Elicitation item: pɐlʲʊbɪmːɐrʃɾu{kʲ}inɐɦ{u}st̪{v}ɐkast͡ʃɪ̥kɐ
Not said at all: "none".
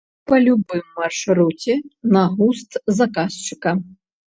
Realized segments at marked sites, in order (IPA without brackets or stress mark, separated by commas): tʲ, u, z